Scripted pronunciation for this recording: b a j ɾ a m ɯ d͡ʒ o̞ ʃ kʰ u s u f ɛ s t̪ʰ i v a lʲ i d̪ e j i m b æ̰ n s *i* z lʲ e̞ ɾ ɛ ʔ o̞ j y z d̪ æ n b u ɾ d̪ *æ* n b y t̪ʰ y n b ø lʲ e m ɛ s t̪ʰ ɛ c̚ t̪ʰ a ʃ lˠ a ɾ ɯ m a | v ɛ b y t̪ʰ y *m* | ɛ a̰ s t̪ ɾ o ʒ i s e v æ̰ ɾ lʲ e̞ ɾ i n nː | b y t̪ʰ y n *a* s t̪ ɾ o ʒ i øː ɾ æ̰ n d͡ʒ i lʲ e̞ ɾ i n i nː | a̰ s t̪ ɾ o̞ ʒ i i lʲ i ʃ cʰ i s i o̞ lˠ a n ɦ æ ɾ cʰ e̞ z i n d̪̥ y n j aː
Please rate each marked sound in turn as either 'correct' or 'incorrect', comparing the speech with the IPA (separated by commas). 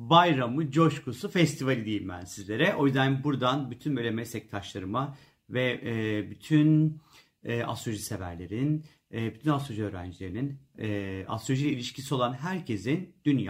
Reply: correct, incorrect, incorrect, correct